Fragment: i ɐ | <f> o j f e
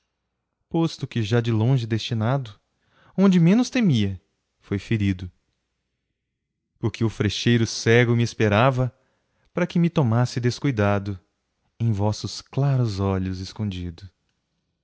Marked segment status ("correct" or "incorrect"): correct